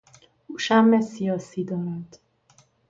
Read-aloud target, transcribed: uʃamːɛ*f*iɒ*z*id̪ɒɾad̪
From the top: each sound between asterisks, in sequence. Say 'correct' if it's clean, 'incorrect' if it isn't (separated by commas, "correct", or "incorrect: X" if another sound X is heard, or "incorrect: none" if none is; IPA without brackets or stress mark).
incorrect: s, incorrect: s